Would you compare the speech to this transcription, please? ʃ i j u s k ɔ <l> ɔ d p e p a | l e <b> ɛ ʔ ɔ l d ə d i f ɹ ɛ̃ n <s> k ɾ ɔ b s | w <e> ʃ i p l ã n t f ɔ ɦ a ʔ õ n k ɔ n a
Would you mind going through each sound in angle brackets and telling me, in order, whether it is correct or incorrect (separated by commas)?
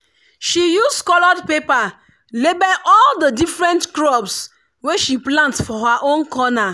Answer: correct, correct, incorrect, correct